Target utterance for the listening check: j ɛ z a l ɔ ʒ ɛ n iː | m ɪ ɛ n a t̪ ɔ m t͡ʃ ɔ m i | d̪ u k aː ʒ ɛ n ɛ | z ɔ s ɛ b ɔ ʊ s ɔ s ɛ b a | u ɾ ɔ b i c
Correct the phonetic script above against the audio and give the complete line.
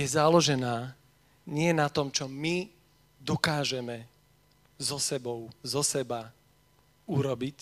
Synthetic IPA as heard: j ɛ z a l ɔ ʒ ɛ n aː | ɲ ɪ ɛ n a t̪ ɔ m t͡ʃ ɔ m i | d̪ ɔ k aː ʒ ɛ m ɛ | z ɔ s ɛ b ɔ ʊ z ɔ s ɛ b a | u ɾ ɔ b i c